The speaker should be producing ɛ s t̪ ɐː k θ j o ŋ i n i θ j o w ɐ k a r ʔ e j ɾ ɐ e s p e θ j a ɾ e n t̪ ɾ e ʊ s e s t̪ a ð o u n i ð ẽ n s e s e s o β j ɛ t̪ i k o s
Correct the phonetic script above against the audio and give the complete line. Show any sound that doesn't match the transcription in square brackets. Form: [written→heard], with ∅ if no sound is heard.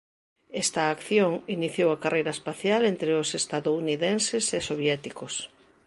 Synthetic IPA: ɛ s t̪ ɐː k θ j o ŋ i n i θ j o w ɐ k a r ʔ e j ɾ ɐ e s p [e→a] θ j a [ɾ→l] e n t̪ ɾ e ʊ s e s t̪ a ð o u n i ð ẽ n s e s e s o β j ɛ t̪ i k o s